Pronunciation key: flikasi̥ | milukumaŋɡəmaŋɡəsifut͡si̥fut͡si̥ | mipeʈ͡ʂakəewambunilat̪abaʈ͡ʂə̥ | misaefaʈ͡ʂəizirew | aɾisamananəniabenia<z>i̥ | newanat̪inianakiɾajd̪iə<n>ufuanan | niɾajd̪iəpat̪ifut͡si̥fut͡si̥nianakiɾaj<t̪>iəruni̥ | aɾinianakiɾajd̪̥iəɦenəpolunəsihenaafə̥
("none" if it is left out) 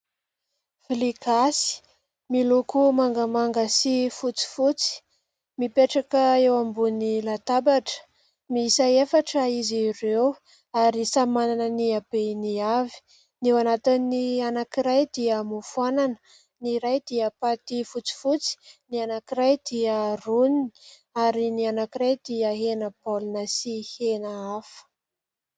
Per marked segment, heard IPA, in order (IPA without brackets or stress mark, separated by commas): v, m, d̪